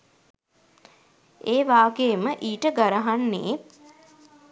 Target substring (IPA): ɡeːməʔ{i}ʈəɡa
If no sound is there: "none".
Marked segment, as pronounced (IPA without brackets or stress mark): iː